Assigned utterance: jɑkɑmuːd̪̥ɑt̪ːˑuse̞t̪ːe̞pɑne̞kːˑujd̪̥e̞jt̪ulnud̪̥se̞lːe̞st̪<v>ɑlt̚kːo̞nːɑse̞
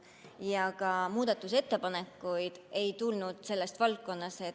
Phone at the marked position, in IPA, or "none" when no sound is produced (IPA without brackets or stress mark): v